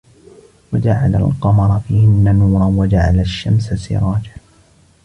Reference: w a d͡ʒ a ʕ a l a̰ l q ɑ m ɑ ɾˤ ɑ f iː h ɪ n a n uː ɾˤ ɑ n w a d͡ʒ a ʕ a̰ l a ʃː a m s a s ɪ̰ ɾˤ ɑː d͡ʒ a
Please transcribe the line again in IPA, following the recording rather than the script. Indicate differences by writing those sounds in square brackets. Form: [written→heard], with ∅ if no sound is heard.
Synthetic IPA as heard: w a d͡ʒ a ʕ a l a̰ l q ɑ m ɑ ɾˤ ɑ f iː h ɪ [n→nː] a n uː ɾˤ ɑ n w a d͡ʒ a ʕ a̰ l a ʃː a m s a s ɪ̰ ɾˤ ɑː d͡ʒ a